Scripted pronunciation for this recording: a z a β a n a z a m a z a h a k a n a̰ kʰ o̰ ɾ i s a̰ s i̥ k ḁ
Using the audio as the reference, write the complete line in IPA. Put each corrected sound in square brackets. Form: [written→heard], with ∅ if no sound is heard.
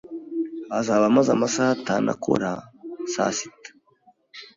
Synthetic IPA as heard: a z a β a [n→m] a z a m a [z→s] a h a [k→t] a n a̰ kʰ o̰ ɾ [i→a] s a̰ s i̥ [k→t] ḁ